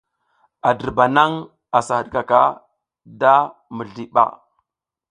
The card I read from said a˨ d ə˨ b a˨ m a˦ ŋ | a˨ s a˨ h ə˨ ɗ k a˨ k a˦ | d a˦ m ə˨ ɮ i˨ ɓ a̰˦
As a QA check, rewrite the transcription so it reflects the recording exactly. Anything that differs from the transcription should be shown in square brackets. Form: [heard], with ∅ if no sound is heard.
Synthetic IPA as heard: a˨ d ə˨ b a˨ [n] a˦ ŋ | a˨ s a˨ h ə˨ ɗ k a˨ k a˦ | d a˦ m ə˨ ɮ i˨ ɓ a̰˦